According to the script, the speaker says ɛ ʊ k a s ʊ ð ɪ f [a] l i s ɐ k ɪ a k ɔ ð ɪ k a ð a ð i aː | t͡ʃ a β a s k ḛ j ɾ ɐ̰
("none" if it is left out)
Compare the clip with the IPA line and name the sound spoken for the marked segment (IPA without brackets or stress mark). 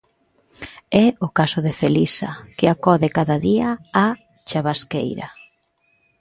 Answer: e